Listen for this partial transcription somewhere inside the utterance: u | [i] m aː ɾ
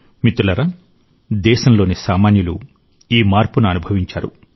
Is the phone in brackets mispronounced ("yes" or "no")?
yes